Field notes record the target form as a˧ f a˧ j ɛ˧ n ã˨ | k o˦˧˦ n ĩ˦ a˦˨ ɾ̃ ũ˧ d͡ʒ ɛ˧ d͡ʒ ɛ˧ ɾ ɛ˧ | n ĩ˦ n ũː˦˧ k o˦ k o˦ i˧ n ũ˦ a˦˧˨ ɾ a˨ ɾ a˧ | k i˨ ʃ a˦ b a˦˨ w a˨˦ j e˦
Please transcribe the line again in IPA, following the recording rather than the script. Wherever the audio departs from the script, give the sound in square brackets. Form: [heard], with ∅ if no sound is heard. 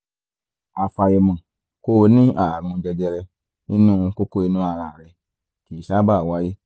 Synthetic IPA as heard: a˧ f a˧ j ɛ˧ [m] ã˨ | k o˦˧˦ n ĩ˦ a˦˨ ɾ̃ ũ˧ d͡ʒ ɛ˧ d͡ʒ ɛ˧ ɾ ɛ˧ | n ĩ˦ n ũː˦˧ k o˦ k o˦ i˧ n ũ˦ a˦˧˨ ɾ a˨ ɾ [ɛ˧] | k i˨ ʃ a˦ b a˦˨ w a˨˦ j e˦